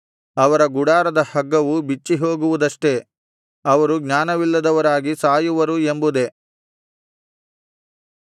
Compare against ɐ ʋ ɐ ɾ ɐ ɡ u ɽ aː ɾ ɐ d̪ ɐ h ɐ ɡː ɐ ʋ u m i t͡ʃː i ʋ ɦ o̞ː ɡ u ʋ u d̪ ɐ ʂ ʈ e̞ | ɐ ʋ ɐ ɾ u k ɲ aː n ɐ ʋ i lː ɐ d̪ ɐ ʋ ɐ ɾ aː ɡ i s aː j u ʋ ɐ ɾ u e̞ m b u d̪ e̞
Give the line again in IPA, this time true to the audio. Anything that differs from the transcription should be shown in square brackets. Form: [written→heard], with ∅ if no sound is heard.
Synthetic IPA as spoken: ɐ ʋ ɐ ɾ ɐ ɡ u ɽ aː ɾ ɐ d̪ ɐ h ɐ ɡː ɐ ʋ u [m→b] i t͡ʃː i [ʋ→∅] ɦ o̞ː ɡ u ʋ u d̪ ɐ ʂ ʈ e̞ | ɐ ʋ ɐ ɾ u [k→ɡ] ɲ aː n ɐ ʋ i lː ɐ d̪ ɐ ʋ ɐ ɾ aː ɡ i s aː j u ʋ ɐ ɾ u e̞ m b u d̪ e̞

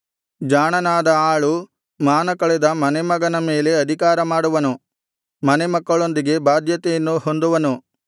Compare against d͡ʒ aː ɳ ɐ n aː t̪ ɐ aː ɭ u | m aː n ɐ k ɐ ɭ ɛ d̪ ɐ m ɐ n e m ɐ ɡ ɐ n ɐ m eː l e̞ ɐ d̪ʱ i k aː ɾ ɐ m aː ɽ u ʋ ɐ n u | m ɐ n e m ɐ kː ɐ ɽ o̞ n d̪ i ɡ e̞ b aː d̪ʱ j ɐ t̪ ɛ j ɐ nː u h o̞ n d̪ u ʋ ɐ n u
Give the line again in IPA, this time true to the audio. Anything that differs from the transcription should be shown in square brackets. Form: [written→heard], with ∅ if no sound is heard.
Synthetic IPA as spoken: d͡ʒ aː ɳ ɐ n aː [t̪→d̪] ɐ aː ɭ u | m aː n ɐ k ɐ ɭ ɛ d̪ ɐ m ɐ n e m ɐ ɡ ɐ n ɐ m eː l e̞ ɐ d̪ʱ i k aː ɾ ɐ m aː ɽ u ʋ ɐ n u | m ɐ n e m ɐ kː ɐ [ɽ→ɭ] o̞ n d̪ i ɡ e̞ b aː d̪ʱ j ɐ t̪ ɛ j ɐ nː u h o̞ n d̪ u ʋ ɐ n u

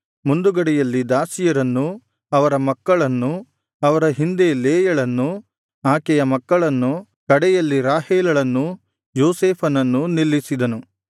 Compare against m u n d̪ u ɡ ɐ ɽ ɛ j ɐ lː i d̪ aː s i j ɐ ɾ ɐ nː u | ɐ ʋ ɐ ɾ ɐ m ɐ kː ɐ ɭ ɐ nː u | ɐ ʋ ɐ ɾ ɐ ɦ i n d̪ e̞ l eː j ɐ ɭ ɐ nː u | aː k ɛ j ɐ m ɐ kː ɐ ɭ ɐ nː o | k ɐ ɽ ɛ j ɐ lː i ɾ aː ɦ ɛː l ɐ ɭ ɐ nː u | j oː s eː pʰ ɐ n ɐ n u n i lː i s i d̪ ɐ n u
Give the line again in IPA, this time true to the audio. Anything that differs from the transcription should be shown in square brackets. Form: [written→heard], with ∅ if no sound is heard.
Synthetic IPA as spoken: m u n d̪ u ɡ ɐ ɽ ɛ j ɐ lː i d̪ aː s i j ɐ ɾ ɐ nː u | ɐ ʋ ɐ ɾ ɐ m ɐ kː ɐ ɭ ɐ nː u | ɐ ʋ ɐ ɾ ɐ ɦ i n d̪ e̞ l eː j ɐ ɭ ɐ nː u | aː k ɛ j ɐ m ɐ kː ɐ ɭ ɐ nː [o→u] | k ɐ ɽ ɛ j ɐ lː i ɾ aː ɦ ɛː l ɐ ɭ ɐ nː u | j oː s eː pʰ ɐ n ɐ [n→nː] u n i lː i s i d̪ ɐ n u

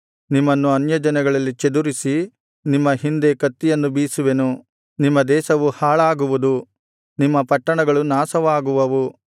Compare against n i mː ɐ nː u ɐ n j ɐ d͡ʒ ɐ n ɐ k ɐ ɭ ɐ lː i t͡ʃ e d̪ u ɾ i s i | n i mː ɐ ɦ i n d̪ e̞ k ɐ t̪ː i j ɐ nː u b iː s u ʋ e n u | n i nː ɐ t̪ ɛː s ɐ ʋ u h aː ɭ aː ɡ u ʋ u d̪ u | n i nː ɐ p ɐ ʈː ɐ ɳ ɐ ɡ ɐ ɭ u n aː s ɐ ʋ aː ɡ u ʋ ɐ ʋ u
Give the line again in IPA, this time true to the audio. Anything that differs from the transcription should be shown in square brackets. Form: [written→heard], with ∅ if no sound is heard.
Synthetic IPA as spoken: n i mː ɐ nː u ɐ n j ɐ d͡ʒ ɐ n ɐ [k→ɡ] ɐ ɭ ɐ lː i t͡ʃ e d̪ u ɾ i s i | n i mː ɐ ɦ i n d̪ e̞ k ɐ t̪ː i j ɐ nː u b iː s u ʋ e n u | n i [nː→mː] ɐ [t̪→d̪] ɛː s ɐ ʋ u h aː ɭ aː ɡ u ʋ u d̪ u | n i [nː→mː] ɐ p ɐ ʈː ɐ ɳ ɐ ɡ ɐ ɭ u n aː s ɐ ʋ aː ɡ u ʋ ɐ ʋ u

